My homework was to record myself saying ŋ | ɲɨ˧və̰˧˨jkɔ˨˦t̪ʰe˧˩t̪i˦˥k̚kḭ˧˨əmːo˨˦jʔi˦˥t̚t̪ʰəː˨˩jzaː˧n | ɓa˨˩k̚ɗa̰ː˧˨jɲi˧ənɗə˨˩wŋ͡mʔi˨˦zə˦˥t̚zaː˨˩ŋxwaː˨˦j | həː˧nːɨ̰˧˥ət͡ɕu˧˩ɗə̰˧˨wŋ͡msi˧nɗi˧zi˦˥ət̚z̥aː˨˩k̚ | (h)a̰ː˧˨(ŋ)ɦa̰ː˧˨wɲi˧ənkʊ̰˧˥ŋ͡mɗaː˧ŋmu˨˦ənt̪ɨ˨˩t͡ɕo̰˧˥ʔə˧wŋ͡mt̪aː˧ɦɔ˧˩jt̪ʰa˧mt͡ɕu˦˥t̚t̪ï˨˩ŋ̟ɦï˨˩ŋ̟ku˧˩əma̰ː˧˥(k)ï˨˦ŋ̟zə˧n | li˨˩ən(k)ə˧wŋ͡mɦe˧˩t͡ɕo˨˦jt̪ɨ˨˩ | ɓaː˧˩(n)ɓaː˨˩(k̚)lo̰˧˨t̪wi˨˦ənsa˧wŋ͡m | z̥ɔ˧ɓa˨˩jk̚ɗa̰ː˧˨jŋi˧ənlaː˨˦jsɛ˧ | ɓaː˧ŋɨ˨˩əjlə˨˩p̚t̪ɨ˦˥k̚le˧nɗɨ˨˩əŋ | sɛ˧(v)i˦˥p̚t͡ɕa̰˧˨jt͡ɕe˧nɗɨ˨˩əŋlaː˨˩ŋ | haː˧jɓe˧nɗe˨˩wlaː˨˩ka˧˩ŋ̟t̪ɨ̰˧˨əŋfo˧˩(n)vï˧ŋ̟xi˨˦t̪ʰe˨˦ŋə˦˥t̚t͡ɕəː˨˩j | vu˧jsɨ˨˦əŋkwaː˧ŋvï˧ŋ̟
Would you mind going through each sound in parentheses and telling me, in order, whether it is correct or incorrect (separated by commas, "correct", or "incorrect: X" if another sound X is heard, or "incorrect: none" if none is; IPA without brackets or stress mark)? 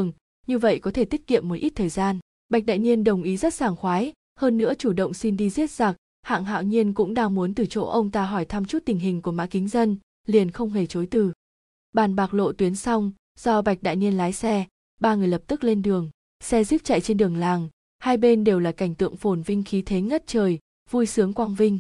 correct, correct, correct, incorrect: x, correct, correct, incorrect: z, correct